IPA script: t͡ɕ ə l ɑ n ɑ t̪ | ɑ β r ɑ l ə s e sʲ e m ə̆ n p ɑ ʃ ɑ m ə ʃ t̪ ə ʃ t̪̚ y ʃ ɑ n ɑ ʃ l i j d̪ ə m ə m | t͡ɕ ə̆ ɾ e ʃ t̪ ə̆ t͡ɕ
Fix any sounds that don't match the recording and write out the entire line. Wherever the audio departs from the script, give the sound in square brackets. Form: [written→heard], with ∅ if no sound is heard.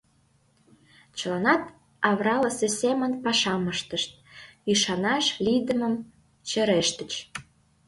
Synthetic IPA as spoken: t͡ɕ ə l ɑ n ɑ t̪ | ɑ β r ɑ l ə s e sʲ e m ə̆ n p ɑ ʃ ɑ m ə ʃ t̪ ə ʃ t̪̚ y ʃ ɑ n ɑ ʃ l i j d̪ ə m ə m | t͡ɕ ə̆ ɾ e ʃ t̪ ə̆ t͡ɕ